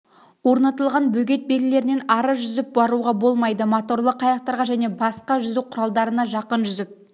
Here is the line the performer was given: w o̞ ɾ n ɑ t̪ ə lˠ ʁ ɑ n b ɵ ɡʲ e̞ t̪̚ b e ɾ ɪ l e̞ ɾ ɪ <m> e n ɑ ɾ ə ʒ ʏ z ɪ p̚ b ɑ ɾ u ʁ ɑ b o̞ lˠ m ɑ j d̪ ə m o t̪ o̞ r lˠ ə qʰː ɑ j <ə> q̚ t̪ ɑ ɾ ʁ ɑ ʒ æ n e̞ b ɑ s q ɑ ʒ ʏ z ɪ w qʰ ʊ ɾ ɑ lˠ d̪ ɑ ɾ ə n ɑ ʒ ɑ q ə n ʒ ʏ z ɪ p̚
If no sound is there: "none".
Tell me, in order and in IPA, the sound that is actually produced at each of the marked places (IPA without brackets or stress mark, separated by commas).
n, ɑ